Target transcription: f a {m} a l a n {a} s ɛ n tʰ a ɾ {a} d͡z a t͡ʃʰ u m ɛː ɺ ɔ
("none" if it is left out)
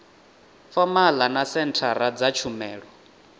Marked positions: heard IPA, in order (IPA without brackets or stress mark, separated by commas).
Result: m, a, a